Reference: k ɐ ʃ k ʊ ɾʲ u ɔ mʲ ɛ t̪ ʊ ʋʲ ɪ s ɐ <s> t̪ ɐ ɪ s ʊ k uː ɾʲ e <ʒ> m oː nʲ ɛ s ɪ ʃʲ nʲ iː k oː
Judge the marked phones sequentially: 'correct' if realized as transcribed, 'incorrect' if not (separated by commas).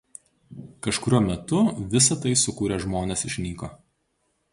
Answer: incorrect, correct